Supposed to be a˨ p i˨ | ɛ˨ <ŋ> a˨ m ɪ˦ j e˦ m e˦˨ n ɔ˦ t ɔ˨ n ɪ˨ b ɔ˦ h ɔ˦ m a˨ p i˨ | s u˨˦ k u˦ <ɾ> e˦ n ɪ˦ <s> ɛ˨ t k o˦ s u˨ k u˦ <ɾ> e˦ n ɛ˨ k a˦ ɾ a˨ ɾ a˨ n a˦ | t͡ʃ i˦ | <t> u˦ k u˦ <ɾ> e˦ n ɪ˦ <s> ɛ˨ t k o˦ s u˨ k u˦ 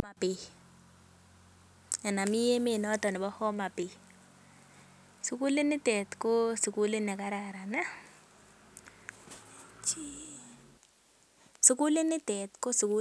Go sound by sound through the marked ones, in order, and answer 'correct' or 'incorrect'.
incorrect: n, incorrect: l, incorrect: t, incorrect: l, incorrect: s, incorrect: l, incorrect: t

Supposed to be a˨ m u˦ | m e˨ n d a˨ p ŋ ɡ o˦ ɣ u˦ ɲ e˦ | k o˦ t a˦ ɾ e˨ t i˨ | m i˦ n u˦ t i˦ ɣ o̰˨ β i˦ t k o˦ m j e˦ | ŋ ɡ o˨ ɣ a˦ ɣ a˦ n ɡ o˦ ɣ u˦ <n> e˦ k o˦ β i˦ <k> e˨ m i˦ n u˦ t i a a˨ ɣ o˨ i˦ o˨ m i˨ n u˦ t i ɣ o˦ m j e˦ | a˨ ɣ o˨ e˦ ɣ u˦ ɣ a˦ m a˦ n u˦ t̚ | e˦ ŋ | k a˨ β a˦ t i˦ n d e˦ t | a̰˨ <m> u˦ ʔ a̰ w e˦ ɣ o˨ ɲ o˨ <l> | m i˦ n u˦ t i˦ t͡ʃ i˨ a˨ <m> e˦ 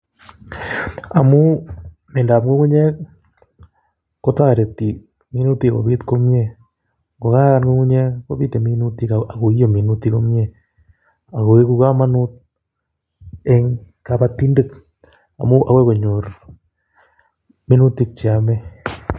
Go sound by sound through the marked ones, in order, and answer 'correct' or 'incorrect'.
incorrect: ɲ, incorrect: t, correct, incorrect: ɾ, correct

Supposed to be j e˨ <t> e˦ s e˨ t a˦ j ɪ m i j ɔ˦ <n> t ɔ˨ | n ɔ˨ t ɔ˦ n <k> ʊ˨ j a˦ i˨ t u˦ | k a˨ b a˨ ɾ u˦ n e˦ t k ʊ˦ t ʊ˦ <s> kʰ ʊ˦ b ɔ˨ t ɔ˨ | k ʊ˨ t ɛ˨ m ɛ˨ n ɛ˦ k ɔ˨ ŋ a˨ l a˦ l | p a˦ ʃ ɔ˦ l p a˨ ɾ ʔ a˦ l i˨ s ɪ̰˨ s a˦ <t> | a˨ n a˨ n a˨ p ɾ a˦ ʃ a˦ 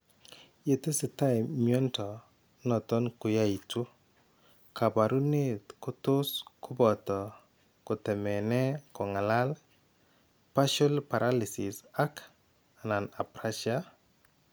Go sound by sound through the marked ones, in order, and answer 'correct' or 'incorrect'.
correct, correct, correct, correct, incorrect: k

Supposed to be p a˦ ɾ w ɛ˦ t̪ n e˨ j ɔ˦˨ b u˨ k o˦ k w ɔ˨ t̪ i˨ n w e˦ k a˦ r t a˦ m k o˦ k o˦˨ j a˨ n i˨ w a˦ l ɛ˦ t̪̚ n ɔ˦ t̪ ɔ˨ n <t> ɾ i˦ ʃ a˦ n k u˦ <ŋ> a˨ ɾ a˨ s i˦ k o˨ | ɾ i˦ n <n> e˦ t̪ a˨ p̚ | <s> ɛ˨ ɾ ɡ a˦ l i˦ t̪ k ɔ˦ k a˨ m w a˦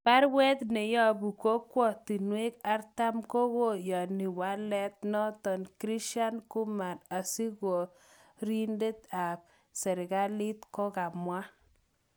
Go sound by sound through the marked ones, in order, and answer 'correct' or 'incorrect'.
incorrect: k, incorrect: m, incorrect: d, correct

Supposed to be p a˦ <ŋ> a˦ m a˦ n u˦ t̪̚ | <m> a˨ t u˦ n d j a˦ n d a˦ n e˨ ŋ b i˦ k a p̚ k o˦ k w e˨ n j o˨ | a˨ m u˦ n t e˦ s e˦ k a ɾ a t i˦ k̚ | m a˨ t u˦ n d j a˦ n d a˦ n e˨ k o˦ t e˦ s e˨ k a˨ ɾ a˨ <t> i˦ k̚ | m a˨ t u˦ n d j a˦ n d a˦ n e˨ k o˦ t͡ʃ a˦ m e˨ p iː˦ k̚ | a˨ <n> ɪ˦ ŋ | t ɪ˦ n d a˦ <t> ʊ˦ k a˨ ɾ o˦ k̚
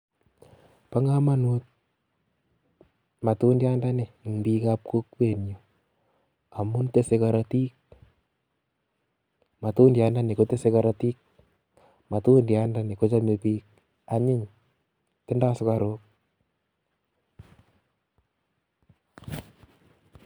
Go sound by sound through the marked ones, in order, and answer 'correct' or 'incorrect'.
correct, correct, correct, incorrect: ɲ, incorrect: s

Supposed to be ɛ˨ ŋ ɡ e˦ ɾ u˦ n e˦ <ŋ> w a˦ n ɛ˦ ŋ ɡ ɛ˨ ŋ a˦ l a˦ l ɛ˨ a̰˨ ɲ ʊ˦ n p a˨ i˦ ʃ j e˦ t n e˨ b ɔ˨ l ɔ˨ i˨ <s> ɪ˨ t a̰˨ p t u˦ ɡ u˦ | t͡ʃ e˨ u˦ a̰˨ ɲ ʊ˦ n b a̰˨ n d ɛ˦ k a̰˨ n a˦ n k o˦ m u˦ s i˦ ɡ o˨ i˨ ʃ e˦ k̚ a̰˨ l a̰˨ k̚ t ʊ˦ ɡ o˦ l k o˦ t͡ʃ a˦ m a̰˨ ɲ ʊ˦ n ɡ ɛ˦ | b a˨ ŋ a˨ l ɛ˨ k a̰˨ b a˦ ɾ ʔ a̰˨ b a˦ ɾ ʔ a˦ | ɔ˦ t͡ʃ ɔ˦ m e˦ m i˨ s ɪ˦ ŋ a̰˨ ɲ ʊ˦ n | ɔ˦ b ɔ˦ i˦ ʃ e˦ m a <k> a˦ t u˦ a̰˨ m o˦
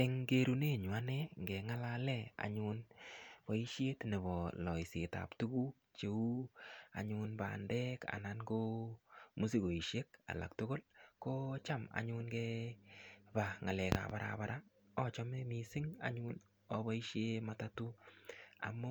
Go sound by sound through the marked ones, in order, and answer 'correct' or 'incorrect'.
incorrect: ɲ, correct, incorrect: t

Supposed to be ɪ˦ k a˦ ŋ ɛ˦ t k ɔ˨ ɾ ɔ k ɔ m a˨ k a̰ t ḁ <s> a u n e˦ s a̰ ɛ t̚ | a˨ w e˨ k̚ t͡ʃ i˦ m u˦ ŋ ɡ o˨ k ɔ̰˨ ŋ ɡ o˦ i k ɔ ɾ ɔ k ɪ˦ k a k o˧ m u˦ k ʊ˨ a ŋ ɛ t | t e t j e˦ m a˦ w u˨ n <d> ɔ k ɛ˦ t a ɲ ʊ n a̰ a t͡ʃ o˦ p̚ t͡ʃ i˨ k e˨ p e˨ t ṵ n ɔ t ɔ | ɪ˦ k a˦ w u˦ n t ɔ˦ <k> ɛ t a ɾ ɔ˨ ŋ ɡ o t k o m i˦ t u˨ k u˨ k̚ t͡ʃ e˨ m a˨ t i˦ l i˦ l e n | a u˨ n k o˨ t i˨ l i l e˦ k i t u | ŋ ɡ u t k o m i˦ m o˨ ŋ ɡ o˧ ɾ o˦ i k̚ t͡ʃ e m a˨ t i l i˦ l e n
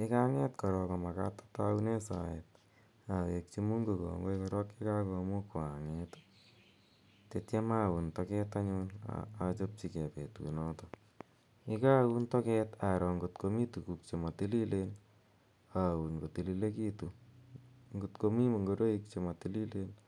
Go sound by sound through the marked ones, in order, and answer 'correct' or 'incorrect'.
incorrect: t, incorrect: t, correct

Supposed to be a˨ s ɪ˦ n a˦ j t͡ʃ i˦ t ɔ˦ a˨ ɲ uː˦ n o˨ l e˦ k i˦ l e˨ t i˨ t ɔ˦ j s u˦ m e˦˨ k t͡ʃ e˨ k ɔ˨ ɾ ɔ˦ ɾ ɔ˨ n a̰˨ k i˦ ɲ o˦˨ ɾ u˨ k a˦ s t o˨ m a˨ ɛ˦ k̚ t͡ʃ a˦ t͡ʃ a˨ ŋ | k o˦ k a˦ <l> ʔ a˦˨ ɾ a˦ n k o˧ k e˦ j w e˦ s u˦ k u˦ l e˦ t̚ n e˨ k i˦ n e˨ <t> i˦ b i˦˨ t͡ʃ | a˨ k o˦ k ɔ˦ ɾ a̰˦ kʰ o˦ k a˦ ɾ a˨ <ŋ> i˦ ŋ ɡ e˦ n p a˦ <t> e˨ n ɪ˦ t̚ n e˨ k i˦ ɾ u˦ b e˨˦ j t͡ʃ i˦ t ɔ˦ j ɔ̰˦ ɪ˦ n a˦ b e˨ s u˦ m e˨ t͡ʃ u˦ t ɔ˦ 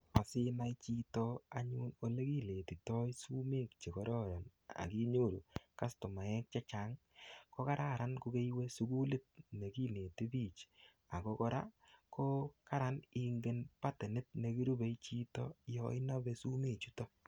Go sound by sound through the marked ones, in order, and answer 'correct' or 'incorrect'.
incorrect: ɾ, correct, incorrect: n, correct

